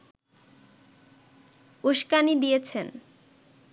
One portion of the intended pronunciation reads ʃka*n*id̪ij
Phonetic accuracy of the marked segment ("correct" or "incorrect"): correct